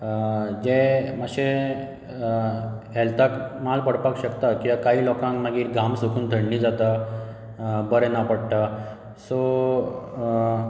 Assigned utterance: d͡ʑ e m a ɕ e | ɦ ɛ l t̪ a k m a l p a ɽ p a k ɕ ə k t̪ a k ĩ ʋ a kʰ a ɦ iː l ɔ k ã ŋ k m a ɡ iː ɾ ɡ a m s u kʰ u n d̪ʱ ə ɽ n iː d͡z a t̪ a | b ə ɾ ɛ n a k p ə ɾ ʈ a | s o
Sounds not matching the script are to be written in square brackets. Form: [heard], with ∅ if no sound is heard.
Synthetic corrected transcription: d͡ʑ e m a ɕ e | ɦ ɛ l t̪ a k m a l p [ə] ɽ p a k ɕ ə k t̪ a k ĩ ʋ a [k] a ɦ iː l ɔ k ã ŋ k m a ɡ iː ɾ ɡ a m s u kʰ [uː] n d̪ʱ ə ɽ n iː d͡z a t̪ a | b ə ɾ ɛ n a [∅] p ə [ɽ] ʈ a | s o